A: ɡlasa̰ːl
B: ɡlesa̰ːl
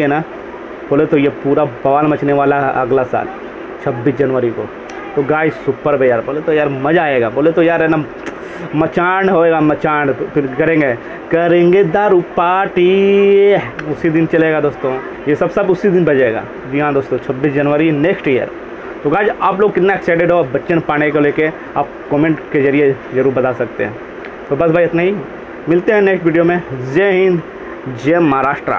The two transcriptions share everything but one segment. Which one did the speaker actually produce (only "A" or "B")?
A